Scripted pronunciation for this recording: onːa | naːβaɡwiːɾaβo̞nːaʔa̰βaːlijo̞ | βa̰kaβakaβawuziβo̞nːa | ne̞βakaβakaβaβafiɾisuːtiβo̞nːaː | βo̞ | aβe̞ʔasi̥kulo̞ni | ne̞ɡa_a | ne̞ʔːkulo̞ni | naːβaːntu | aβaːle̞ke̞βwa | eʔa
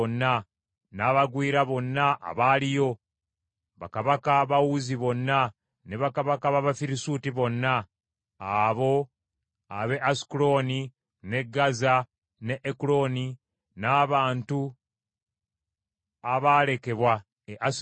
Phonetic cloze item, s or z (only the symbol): z